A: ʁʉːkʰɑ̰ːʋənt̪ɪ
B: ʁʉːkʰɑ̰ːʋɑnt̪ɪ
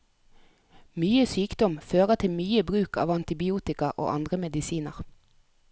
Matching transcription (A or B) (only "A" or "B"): B